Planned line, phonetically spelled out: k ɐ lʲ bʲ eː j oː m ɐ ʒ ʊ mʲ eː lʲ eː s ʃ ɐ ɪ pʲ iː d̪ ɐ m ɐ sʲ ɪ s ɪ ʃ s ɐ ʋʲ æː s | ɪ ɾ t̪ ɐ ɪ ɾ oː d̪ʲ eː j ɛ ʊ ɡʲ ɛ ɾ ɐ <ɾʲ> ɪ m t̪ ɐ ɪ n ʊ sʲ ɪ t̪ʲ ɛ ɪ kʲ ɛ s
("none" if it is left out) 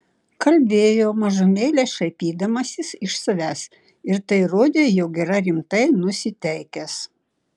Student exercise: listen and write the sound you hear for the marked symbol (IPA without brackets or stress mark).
ɾʲ